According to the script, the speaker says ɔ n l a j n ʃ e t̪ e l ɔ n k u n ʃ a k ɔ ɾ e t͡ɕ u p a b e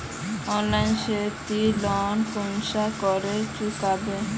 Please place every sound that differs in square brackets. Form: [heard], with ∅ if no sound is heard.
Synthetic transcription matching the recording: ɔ n l a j n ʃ e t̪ [i] l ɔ n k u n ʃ a k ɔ ɾ e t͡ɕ u [k] a b e